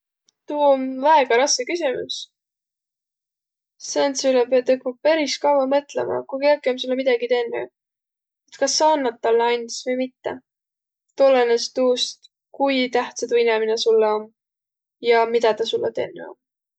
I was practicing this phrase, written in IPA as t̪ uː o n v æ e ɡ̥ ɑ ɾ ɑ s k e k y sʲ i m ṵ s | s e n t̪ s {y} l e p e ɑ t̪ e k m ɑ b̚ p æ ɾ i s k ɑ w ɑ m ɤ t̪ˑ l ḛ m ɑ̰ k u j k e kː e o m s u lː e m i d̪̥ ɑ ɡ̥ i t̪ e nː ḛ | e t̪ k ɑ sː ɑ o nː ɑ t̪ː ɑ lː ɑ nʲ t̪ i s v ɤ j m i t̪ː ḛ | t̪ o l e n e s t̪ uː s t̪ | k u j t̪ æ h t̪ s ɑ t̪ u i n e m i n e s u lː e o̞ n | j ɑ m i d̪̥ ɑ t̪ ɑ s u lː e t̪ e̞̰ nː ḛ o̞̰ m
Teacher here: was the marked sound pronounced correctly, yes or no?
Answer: yes